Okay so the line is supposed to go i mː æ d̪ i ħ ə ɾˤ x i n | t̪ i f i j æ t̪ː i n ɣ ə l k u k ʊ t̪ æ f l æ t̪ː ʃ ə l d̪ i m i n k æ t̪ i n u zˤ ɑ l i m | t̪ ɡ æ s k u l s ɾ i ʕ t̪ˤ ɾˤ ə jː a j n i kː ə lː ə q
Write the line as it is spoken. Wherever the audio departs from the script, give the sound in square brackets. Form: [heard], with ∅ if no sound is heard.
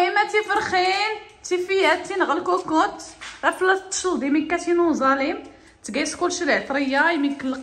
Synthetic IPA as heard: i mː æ [t̪] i [f] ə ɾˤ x i n | t̪ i f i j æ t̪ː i n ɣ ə l k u k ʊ t̪ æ f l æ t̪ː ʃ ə l d̪ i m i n k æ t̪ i n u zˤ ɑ l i m | t̪ ɡ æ s k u l [ʃ] ɾ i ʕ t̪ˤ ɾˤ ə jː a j [m] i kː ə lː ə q